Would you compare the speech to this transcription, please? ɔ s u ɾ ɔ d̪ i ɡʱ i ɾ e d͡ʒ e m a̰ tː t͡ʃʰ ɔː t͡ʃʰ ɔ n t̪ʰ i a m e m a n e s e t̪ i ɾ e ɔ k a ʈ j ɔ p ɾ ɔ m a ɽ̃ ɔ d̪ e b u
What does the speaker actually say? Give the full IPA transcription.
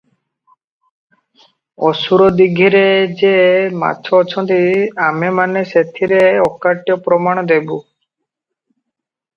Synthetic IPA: ɔ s u ɾ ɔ d̪ i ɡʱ i ɾ e d͡ʒ e m a̰ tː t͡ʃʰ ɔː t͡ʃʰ ɔ n t̪ i a m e m a n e s e t̪ʰ i ɾ e ɔ k a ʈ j ɔ p ɾ ɔ m a ɽ̃ ɔ d̪ e b u